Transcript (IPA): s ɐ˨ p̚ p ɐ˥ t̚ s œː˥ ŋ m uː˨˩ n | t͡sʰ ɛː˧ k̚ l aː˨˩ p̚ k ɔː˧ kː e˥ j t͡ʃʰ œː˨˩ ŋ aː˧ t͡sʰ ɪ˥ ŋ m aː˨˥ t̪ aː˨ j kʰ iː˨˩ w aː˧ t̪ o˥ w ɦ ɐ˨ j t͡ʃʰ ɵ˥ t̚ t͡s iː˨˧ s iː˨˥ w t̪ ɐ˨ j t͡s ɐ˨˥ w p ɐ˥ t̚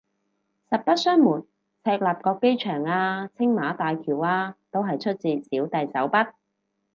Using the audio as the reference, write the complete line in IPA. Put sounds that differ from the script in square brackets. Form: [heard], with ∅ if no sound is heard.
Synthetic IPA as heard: s ɐ˨ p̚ p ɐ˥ t̚ s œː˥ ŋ m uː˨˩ n | t͡sʰ ɛː˧ k̚ l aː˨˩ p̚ k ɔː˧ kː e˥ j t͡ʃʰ œː˨˩ ŋ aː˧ t͡sʰ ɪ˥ ŋ m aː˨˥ t̪ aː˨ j kʰ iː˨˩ w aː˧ t̪ o˥ w ɦ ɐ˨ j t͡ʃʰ ɵ˥ t̚ t͡s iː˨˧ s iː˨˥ w t̪ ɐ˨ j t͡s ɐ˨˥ w p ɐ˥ t̚